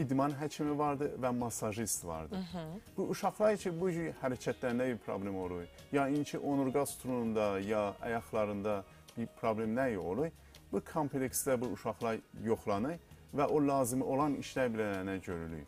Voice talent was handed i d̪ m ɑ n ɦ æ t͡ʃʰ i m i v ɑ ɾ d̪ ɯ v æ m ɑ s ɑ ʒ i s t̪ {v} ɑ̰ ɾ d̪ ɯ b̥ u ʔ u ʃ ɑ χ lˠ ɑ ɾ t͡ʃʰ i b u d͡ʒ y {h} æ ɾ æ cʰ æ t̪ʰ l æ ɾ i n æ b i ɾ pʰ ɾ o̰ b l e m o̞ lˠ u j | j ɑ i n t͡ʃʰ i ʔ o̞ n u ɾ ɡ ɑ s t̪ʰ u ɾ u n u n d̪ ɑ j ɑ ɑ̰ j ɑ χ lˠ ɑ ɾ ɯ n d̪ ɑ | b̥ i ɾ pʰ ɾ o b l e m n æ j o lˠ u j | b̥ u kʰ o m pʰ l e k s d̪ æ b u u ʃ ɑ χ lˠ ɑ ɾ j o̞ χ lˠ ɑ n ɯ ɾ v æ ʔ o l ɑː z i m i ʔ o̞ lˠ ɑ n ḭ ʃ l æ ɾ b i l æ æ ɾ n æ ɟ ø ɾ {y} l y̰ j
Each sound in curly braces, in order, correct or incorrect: correct, correct, correct

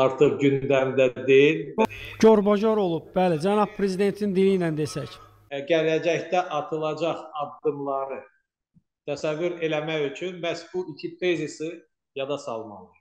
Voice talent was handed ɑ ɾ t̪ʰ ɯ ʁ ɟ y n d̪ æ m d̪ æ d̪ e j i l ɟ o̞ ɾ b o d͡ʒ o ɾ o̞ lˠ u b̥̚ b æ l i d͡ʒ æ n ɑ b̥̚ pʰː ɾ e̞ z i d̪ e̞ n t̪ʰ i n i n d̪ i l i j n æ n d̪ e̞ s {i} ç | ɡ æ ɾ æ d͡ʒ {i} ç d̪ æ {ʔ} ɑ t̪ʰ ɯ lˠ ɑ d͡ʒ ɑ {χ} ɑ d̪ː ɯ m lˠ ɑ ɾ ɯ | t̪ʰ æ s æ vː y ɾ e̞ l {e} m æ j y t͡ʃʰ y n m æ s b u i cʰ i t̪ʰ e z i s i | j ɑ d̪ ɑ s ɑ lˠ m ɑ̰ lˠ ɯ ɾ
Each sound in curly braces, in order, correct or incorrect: incorrect, incorrect, correct, correct, incorrect

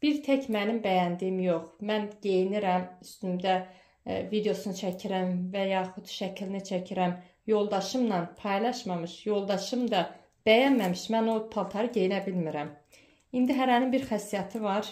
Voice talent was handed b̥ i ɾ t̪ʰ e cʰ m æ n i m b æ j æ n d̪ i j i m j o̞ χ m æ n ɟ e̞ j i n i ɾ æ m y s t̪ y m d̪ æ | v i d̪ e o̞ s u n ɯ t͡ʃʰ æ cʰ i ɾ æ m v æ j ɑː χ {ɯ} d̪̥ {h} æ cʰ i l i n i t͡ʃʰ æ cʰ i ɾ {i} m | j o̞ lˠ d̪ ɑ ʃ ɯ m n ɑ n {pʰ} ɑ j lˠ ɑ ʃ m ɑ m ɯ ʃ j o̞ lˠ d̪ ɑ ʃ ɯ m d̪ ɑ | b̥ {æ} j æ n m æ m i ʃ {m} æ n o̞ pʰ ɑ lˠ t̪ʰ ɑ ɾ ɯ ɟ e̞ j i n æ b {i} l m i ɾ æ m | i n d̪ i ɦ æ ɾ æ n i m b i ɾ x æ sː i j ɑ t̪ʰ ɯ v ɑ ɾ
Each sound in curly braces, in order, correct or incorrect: incorrect, incorrect, incorrect, correct, correct, correct, correct

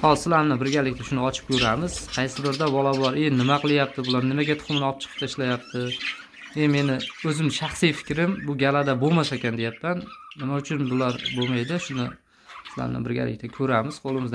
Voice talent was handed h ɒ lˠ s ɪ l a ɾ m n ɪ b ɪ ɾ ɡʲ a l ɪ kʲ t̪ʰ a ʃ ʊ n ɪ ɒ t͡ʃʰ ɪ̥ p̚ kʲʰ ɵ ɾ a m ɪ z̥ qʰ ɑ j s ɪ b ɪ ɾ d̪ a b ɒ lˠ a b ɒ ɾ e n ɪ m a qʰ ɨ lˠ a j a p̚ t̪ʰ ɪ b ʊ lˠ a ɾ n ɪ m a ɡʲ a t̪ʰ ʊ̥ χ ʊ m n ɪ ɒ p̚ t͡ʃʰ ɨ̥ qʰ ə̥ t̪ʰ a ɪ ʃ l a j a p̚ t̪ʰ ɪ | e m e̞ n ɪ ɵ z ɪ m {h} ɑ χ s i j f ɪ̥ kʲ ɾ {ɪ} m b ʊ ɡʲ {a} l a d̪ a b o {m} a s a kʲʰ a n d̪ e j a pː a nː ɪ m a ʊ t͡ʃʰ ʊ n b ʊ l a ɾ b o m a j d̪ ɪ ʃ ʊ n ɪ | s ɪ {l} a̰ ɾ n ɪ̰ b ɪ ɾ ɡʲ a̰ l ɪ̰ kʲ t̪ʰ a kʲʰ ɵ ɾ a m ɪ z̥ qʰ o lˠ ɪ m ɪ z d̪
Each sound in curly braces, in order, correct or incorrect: incorrect, correct, correct, correct, correct

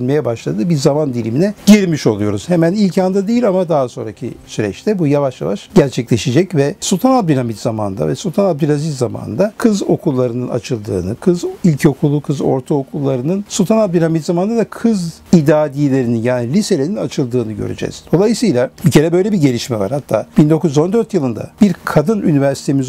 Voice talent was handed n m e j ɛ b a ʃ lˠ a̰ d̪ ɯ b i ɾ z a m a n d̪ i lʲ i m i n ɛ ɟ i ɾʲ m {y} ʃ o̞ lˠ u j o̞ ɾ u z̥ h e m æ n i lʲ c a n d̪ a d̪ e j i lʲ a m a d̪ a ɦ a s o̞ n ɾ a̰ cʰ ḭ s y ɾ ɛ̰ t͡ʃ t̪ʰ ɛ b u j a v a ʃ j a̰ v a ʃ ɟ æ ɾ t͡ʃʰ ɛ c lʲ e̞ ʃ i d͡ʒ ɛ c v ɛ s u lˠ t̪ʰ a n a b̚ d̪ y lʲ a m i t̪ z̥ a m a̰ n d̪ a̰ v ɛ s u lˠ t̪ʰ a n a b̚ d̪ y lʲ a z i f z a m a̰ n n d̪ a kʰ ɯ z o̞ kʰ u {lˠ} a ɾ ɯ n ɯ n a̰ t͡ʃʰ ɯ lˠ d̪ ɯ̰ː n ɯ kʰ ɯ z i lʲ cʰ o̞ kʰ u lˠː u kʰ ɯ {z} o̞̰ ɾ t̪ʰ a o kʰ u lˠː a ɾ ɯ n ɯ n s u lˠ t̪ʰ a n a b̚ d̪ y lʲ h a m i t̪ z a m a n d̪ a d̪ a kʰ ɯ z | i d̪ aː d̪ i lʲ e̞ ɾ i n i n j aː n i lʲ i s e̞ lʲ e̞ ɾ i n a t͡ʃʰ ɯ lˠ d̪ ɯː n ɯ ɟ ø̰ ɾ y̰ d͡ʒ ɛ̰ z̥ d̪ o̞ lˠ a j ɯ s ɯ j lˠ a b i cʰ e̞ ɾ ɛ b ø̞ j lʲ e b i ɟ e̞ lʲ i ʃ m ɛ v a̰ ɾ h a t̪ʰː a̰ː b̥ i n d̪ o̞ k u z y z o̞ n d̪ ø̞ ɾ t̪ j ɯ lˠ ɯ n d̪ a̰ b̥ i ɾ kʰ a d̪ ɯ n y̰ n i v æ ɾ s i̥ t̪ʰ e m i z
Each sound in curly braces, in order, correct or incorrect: incorrect, incorrect, correct

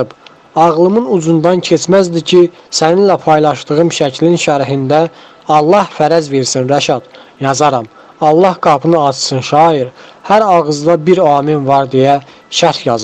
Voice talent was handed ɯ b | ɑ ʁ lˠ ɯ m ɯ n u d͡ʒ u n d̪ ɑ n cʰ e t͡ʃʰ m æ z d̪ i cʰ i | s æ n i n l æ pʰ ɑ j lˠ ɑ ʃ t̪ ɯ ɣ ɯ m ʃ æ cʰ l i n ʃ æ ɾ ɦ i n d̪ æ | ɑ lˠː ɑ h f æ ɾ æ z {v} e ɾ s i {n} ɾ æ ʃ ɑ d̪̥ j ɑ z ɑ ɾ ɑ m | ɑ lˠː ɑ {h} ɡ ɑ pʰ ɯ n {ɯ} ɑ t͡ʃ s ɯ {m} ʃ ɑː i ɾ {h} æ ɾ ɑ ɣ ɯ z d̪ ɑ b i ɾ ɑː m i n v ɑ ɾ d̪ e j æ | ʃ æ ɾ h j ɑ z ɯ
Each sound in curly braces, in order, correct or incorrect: correct, correct, correct, correct, incorrect, correct

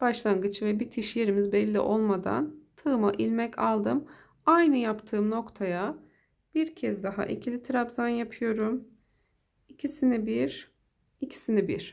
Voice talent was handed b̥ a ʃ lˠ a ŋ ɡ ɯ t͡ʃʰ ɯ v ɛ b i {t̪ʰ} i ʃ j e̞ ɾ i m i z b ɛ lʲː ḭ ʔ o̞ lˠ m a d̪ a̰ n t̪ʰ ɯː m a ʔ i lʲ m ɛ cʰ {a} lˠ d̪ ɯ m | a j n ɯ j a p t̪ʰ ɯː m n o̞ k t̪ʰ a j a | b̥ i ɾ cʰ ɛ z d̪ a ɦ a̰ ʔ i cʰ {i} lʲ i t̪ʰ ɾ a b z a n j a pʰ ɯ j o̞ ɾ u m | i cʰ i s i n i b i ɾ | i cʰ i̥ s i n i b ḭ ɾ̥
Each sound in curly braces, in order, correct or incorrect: correct, correct, correct

